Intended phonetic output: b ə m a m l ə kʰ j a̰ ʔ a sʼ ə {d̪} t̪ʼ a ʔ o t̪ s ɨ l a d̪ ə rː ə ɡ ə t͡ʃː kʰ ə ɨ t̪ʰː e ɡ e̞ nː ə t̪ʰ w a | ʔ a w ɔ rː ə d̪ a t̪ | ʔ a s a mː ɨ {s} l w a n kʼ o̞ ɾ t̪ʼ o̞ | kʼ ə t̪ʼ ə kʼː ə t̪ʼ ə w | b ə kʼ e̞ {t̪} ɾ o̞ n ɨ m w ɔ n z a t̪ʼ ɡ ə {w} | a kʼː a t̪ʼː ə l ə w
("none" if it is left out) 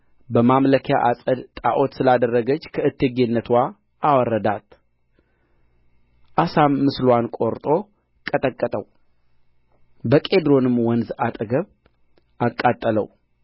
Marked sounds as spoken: d̪, s, d̪, β

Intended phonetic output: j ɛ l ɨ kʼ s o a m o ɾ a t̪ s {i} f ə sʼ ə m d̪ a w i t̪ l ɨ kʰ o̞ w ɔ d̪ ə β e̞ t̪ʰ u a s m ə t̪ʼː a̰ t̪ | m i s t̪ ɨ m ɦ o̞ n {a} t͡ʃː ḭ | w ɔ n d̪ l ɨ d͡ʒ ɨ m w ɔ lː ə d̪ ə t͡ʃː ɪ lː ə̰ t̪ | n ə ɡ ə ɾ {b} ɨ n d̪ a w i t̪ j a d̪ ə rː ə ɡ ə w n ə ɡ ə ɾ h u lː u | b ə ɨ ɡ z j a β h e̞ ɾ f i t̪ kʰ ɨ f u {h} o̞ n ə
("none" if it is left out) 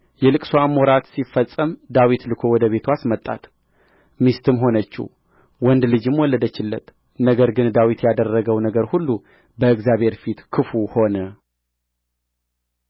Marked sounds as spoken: i, ə, ɡ, h

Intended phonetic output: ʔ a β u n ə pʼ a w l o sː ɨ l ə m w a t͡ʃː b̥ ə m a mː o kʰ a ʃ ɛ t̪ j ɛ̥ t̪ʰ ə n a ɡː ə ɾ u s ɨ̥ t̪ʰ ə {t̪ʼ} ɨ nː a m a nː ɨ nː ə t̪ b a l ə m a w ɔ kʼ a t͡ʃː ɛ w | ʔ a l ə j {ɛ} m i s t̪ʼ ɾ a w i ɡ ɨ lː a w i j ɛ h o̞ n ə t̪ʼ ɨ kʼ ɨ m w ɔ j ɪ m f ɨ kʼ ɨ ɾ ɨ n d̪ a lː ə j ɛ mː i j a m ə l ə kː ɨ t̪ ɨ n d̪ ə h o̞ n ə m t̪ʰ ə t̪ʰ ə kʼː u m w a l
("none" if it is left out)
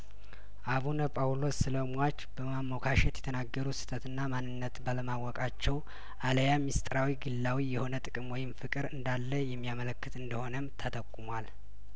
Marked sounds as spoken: t̪, a

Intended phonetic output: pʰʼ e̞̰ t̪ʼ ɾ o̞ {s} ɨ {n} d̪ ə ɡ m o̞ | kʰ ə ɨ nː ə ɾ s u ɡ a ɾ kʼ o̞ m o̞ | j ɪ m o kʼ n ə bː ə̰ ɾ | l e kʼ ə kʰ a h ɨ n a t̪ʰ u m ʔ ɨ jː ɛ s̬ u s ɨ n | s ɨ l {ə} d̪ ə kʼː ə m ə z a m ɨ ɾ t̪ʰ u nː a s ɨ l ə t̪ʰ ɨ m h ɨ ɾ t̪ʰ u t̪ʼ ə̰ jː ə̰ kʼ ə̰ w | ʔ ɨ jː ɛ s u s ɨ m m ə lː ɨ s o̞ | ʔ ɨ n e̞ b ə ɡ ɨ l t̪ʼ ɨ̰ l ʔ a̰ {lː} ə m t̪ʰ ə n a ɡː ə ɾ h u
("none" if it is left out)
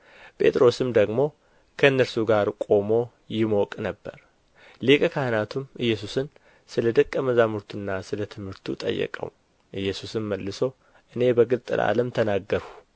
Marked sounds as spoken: s, m, ə, l

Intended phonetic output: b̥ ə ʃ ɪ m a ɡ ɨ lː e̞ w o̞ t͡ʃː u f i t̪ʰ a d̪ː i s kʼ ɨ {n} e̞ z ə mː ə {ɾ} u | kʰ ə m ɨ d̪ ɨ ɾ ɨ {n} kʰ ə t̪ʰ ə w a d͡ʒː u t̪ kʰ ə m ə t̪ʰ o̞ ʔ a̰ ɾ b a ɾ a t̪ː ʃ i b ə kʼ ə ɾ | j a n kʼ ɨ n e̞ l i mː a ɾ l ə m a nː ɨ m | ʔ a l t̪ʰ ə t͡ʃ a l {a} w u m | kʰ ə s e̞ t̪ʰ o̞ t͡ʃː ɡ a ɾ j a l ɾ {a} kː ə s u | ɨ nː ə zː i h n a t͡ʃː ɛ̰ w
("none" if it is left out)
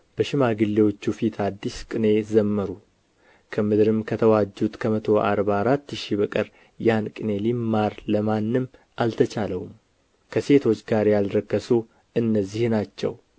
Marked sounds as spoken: n, ɾ, m, ə, ə

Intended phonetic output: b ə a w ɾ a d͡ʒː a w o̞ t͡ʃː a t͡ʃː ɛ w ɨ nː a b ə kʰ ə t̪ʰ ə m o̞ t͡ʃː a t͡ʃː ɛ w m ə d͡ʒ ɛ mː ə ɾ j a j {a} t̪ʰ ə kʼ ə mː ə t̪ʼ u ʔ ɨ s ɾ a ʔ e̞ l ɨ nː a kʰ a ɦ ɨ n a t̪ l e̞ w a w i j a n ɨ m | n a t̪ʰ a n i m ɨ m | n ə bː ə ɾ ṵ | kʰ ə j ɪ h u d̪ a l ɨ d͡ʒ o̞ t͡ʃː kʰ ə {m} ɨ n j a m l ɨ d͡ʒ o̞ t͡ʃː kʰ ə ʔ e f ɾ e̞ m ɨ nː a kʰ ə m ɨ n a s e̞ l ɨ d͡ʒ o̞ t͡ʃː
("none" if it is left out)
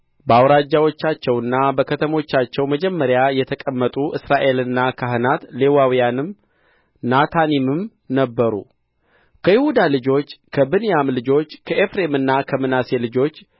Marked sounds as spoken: ɛ, b

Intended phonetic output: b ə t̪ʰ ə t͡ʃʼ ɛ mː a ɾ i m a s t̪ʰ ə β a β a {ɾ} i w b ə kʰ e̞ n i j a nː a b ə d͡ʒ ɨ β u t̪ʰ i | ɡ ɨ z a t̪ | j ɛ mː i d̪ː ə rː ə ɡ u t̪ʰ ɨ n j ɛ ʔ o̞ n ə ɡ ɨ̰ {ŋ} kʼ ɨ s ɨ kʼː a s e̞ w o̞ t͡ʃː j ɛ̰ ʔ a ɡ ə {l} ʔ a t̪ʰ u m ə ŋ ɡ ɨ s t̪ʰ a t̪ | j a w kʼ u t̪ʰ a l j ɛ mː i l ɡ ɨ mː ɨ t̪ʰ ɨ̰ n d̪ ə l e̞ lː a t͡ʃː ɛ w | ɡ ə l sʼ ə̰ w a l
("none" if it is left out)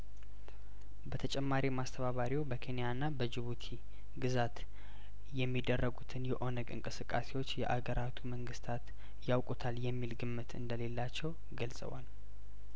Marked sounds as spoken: ɾ, ŋ, ɾ

